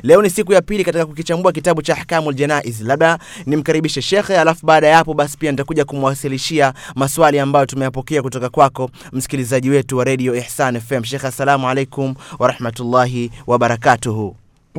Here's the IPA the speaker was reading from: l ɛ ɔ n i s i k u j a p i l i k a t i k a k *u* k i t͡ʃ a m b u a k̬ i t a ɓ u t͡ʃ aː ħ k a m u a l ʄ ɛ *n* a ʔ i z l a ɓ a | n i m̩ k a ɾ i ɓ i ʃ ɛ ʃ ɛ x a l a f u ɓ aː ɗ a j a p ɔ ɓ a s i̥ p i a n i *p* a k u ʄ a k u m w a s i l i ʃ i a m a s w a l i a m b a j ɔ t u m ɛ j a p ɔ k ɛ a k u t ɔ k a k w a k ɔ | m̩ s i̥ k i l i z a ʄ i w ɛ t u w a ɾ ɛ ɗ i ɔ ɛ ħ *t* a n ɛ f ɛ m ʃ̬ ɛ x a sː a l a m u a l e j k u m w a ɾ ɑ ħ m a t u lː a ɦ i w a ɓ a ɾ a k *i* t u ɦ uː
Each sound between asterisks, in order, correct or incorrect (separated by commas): correct, correct, incorrect, incorrect, incorrect